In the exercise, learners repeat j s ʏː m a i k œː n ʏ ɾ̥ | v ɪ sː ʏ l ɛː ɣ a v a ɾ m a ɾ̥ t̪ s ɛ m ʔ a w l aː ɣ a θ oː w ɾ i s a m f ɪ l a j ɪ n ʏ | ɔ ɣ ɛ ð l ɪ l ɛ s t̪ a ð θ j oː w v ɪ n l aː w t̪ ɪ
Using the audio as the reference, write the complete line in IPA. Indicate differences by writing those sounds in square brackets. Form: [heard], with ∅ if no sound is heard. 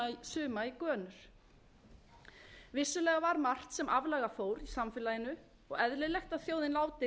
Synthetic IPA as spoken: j s ʏː m a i k œː n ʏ ɾ̥ | v ɪ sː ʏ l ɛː ɣ a v a ɾ m a [r̥] t̪ s ɛ m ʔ a [v] l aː ɣ a [f] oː w ɾ i s a m f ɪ l a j ɪ n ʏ | ɔ ɣ ɛ ð l ɪ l ɛ [x] t̪ a ð θ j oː w [ð] ɪ n l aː w t̪ ɪ